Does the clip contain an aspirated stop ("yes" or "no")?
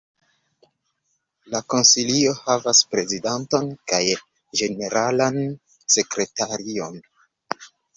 no